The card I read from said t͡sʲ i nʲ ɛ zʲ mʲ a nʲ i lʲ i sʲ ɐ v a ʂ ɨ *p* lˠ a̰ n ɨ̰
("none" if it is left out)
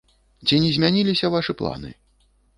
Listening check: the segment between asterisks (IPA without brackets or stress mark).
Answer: p